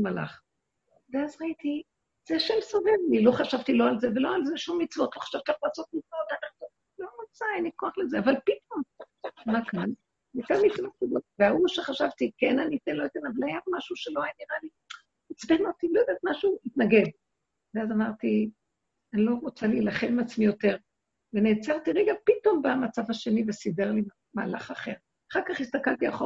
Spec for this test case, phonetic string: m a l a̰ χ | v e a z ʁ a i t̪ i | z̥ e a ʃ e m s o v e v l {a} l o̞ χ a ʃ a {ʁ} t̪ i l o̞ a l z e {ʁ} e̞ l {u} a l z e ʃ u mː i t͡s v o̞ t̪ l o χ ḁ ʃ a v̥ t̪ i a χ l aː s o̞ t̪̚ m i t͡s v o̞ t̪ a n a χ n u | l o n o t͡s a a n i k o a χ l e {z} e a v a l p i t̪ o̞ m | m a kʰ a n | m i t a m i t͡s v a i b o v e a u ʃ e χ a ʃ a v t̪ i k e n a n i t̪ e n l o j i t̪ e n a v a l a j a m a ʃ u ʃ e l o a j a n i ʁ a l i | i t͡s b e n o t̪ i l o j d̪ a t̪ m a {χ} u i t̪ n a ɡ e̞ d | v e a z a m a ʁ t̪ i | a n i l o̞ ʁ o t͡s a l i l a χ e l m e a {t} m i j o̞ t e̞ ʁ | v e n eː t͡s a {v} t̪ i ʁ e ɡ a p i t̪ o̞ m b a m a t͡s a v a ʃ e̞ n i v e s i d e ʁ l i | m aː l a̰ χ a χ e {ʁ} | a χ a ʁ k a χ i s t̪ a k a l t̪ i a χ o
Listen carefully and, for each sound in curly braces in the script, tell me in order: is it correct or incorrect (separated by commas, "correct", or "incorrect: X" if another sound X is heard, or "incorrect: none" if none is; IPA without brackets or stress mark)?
incorrect: i, incorrect: v, incorrect: v, incorrect: o, correct, incorrect: ʃ, incorrect: t͡s, incorrect: ʁ, correct